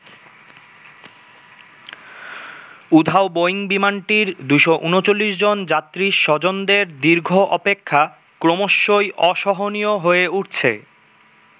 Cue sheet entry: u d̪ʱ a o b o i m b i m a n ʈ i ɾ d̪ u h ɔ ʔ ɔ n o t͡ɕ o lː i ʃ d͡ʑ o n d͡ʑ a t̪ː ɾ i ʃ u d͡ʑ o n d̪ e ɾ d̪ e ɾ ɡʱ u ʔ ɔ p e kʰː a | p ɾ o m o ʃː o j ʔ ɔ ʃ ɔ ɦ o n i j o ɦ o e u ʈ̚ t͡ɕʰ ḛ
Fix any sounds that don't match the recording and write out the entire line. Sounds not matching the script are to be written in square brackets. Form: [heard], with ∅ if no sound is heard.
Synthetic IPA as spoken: u d̪ʱ a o b o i [ŋ] b i m a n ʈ i ɾ d̪ u [ʃ] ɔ ʔ [u] n o t͡ɕ o lː i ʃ d͡ʑ o n d͡ʑ a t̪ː ɾ i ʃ [ɔ] d͡ʑ o n d̪ e ɾ d̪ [i] ɾ ɡʱ [o] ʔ ɔ p e kʰː a | [k] ɾ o m o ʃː o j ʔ ɔ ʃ ɔ ɦ o n i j o ɦ o e u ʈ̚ t͡ɕʰ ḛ